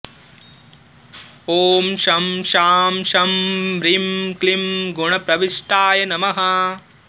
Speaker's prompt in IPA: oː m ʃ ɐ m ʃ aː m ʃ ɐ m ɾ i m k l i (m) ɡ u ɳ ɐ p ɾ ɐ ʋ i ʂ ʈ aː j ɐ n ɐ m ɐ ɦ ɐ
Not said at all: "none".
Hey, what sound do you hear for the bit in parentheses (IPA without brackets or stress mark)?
m